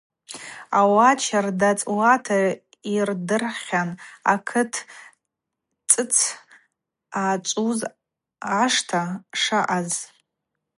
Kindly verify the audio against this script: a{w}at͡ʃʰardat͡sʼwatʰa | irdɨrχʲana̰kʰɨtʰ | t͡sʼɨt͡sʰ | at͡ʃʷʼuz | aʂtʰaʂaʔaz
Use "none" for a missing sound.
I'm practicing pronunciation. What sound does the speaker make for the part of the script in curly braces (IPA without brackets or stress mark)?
w